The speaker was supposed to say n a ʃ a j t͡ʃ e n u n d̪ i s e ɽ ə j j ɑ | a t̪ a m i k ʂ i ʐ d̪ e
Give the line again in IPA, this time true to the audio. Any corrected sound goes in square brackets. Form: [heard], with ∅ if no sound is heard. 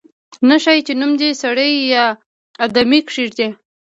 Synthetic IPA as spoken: n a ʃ a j t͡ʃ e n u [m] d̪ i s [a] ɽ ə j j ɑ | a [d̪] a m i k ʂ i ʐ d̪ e